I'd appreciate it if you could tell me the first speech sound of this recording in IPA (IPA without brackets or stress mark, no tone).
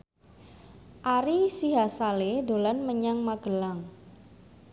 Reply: ʔ